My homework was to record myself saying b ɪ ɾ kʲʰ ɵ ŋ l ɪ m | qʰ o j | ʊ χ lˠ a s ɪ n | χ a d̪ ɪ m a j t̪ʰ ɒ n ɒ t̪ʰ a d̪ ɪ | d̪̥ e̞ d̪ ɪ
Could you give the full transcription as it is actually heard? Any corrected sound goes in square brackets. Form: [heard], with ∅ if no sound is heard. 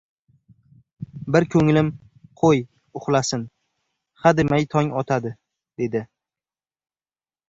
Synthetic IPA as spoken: b ɪ ɾ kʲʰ ɵ ŋ l ɪ m | qʰ o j | ʊ χ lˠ a s ɪ n | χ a d̪ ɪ m a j t̪ʰ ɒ [ŋ] ɒ t̪ʰ a d̪ ɪ | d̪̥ e̞ d̪ ɪ

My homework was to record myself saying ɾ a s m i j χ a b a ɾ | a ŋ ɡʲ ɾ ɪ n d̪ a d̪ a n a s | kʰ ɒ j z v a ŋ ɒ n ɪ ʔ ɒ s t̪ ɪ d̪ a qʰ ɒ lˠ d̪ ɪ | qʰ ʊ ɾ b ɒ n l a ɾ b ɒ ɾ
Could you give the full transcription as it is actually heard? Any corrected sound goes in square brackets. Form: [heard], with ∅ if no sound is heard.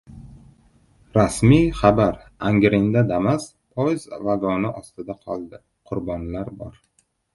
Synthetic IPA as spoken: ɾ a s m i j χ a b a ɾ | a ŋ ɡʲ ɾ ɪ n d̪ a d̪ a [m] a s | [pʰ] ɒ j z v a [ɡ] ɒ n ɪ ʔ ɒ s t̪ ɪ d̪ a qʰ ɒ lˠ d̪ ɪ | qʰ ʊ ɾ b ɒ n l a ɾ b ɒ ɾ

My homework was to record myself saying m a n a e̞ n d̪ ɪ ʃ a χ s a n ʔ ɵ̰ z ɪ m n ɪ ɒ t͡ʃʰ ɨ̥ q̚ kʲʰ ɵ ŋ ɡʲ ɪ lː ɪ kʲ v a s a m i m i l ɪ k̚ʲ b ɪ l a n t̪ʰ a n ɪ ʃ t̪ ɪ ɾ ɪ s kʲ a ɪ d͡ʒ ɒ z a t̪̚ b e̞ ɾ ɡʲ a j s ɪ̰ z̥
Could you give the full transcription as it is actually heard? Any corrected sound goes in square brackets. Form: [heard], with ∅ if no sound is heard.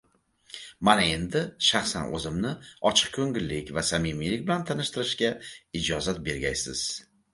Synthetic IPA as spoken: m a n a e̞ n d̪ ɪ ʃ a χ s a n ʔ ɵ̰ z ɪ m n ɪ ɒ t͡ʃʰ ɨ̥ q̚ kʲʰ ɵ ŋ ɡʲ ɪ lː ɪ kʲ v a s a m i m i l ɪ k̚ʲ b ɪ l a n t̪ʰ a n ɪ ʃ t̪ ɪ ɾ ɪ [ʃ] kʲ a ɪ d͡ʒ ɒ z a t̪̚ b e̞ ɾ ɡʲ a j s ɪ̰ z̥

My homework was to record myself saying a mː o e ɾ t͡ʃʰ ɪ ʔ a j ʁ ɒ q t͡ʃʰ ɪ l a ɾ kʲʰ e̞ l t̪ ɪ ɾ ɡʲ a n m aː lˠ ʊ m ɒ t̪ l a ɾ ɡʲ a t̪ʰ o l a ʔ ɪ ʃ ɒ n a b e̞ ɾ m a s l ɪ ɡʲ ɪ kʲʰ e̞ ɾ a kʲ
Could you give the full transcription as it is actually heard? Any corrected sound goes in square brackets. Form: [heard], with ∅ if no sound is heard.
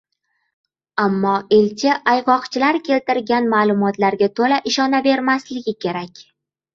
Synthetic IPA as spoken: a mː [ɒ] e [l] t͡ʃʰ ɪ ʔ a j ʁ ɒ q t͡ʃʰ ɪ l a ɾ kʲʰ e̞ l t̪ ɪ ɾ ɡʲ a n m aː lˠ ʊ m ɒ t̪ l a ɾ ɡʲ a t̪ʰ o l a ʔ ɪ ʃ ɒ n a b e̞ ɾ m a s l ɪ ɡʲ ɪ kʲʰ e̞ ɾ a kʲ

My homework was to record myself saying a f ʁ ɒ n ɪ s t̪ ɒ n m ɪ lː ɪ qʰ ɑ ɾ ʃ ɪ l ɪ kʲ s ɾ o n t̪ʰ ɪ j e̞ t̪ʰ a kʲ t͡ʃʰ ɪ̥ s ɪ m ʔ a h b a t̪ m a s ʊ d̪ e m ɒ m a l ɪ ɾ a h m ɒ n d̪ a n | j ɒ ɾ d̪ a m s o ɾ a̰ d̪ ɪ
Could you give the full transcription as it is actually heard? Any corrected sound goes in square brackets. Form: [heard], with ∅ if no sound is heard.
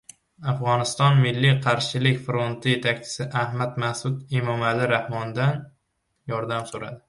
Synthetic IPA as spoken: a f ʁ ɒ n ɪ s t̪ ɒ n m ɪ lː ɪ qʰ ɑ ɾ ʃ ɪ l ɪ kʲ [f] ɾ o n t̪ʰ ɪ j e̞ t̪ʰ a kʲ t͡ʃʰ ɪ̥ s ɪ [∅] ʔ a h [m] a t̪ m a s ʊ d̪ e m ɒ m a l ɪ ɾ a h m ɒ n d̪ a n | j ɒ ɾ d̪ a m s o ɾ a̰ d̪ ɪ

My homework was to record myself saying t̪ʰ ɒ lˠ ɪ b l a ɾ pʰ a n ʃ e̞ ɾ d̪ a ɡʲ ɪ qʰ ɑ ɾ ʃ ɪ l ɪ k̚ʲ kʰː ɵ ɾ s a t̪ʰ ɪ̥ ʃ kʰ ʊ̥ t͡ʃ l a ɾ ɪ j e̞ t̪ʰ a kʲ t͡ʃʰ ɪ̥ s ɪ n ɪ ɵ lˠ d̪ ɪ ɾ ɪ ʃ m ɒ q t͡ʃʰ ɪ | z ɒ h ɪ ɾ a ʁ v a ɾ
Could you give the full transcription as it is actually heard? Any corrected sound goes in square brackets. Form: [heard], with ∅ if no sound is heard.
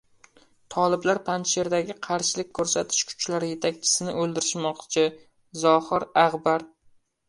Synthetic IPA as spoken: t̪ʰ ɒ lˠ ɪ b l a ɾ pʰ a n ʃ e̞ ɾ d̪ a ɡʲ ɪ qʰ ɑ ɾ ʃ ɪ l ɪ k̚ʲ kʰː ɵ ɾ s a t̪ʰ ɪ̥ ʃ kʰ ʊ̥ t͡ʃ l a ɾ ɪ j e̞ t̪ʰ a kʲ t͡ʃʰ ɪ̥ s ɪ n ɪ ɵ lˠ d̪ ɪ ɾ ɪ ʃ m ɒ q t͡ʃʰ ɪ | z ɒ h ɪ ɾ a ʁ [b] a ɾ

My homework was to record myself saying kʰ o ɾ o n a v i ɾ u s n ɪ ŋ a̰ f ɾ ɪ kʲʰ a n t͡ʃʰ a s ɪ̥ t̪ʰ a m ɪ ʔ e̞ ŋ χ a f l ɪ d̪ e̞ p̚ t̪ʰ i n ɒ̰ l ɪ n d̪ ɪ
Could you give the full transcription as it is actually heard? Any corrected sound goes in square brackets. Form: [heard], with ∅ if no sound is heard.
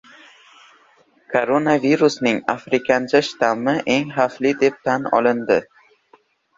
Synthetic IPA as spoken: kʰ o ɾ o n a v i ɾ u s n ɪ ŋ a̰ f ɾ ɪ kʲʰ a n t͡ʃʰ a [ʃ] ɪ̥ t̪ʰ a m ɪ ʔ e̞ ŋ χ a f l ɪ d̪ e̞ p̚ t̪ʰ [a] n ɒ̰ l ɪ n d̪ ɪ

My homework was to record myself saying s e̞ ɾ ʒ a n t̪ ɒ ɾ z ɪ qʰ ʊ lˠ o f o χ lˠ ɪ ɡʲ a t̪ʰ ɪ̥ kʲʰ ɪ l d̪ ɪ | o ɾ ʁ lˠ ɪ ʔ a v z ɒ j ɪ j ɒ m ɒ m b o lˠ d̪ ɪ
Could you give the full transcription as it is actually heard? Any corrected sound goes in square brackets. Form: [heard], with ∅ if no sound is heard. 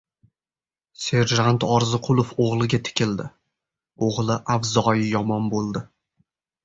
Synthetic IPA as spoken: s e̞ ɾ ʒ a n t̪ ɒ ɾ z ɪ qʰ ʊ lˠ o f o [ʁ] lˠ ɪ ɡʲ a t̪ʰ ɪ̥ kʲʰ ɪ l d̪ ɪ | o [∅] ʁ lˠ ɪ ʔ a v z ɒ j ɪ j ɒ m ɒ [n] b o lˠ d̪ ɪ

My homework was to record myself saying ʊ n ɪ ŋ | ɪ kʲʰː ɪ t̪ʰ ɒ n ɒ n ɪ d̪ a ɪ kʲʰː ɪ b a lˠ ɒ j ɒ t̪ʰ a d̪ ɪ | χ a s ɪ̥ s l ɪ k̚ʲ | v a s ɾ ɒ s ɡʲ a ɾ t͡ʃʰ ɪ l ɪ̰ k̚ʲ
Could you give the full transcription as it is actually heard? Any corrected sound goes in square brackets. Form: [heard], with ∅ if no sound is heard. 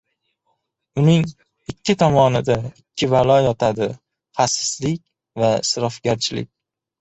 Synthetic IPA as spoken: ʊ n ɪ ŋ | ɪ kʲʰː ɪ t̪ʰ ɒ [m] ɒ n ɪ d̪ a ɪ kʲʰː ɪ [v] a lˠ ɒ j ɒ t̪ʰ a d̪ ɪ | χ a s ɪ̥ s l ɪ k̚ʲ | v a s ɾ ɒ [f] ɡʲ a ɾ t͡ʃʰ ɪ l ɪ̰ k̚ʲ

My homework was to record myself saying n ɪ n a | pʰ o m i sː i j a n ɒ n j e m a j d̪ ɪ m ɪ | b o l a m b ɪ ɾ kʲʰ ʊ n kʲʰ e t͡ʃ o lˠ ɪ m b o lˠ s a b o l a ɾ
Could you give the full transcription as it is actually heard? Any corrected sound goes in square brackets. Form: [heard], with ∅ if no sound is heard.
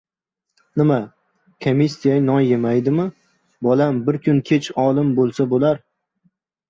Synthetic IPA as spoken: n ɪ [m] a | [kʰ] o m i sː i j a n ɒ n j e m a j d̪ ɪ m ɪ | b [ɒ] l a m b ɪ ɾ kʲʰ ʊ n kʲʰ e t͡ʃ [ɒ] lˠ ɪ m b o lˠ s a b o l a ɾ

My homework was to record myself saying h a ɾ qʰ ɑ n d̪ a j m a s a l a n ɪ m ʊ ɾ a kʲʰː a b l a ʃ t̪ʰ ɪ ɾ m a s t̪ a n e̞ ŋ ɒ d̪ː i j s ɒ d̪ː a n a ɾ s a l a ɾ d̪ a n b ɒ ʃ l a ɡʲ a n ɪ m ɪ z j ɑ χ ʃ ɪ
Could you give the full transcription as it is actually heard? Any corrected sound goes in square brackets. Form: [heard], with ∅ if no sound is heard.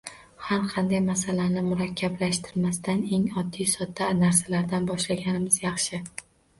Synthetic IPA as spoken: h a ɾ qʰ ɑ n d̪ a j m a s a l a n ɪ m ʊ ɾ a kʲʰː a b l a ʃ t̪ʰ ɪ ɾ m a s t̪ a n e̞ ŋ ɒ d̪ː i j s ɒ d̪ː a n a ɾ s a l a ɾ d̪ a n b ɒ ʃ l a ɡʲ a n ɪ m ɪ z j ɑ χ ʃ ɪ

